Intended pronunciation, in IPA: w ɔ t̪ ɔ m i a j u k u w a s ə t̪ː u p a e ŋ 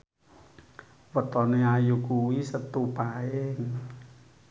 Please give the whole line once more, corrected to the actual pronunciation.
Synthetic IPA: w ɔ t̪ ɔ n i a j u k u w i s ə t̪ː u p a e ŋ

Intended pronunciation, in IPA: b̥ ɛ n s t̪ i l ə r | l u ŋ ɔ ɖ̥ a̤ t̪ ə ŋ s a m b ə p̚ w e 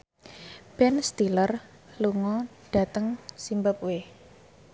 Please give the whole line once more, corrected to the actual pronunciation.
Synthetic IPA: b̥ ɛ n s t̪ i l ə r | l u ŋ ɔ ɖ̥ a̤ t̪ ə ŋ s i m b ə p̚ w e

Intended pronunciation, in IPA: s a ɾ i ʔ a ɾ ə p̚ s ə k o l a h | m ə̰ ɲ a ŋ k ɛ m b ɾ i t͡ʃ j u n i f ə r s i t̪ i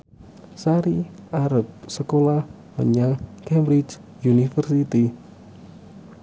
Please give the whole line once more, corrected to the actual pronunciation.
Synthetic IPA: s a ɾ i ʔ a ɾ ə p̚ s ə k o l a h | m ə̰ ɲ a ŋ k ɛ m b ɾ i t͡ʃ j u n i f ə r s i t̪ i

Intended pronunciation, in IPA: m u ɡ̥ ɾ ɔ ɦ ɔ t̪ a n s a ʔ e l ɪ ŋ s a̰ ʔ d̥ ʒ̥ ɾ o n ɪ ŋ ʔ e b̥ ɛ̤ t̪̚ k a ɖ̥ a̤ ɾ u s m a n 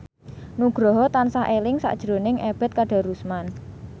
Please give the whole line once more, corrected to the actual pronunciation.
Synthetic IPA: n u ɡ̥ ɾ ɔ ɦ ɔ t̪ a n s a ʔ e l ɪ ŋ s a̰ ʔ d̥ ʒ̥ ɾ o n ɪ ŋ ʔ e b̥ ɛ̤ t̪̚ k a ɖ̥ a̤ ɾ u s m a n

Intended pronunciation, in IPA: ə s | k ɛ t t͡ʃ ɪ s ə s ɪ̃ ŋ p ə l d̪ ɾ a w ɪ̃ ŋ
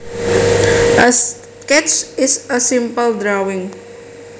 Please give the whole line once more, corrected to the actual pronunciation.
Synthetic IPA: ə s | k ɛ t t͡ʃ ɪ s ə s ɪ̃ m p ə l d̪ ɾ a w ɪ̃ ŋ

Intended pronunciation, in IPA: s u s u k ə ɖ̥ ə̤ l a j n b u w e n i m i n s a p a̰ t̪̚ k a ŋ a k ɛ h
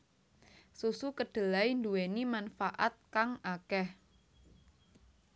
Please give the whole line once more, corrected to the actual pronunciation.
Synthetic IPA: s u s u k ə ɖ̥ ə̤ l a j n d u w e n i m a n f a ʔ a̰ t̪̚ k a ŋ a k ɛ h

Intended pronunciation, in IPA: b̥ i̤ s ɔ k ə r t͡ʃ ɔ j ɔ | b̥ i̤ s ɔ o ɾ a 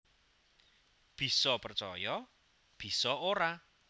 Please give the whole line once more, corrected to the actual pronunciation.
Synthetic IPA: b̥ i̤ s ɔ p ə r t͡ʃ ɔ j ɔ | b̥ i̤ s ɔ o ɾ a

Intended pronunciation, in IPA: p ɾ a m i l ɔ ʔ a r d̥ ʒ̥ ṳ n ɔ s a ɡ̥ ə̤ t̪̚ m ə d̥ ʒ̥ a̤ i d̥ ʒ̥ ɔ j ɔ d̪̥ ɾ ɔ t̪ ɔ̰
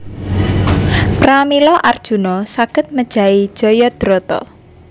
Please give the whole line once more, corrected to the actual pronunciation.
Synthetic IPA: p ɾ a m i l ɔ ʔ a r d̥ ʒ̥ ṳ n ɔ s a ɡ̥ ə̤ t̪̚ m ə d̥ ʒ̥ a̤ i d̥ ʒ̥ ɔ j ɔ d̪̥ ɾ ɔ t̪ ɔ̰

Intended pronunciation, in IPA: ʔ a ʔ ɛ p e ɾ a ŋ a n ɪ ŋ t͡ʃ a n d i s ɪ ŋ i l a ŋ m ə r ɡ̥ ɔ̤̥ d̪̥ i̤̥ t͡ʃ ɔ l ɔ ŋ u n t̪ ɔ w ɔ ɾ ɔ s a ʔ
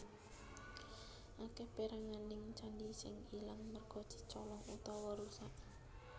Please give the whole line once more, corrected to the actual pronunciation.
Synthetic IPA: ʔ a k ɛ p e ɾ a ŋ a n ɪ ŋ t͡ʃ a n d i s ɪ ŋ i l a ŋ m ə r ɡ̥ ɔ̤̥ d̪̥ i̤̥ t͡ʃ ɔ l ɔ ŋ u t̪ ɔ w ɔ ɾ u s a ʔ

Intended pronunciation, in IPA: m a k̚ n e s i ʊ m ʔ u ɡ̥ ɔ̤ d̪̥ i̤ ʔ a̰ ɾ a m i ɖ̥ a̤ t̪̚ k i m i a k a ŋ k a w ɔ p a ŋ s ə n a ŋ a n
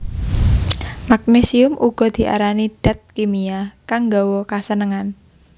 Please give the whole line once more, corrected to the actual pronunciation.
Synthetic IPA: m a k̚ n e s i ʊ m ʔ u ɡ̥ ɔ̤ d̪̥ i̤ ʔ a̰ ɾ a n i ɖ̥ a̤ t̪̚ k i m i a k a ŋ ɡ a w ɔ k a s ə n ə ŋ a n

